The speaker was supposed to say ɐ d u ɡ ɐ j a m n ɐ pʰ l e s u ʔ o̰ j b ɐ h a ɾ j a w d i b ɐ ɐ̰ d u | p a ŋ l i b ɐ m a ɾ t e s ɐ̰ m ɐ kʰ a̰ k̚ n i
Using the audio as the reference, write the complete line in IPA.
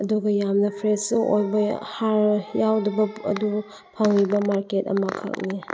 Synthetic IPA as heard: ɐ d u ɡ ɐ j a m n ɐ pʰ ɾ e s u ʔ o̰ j b ɐ h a ɾ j a w d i b ɐ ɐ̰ d u | pʰ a ŋ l i b ɐ m a ɾ k e t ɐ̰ m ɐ kʰ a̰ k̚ n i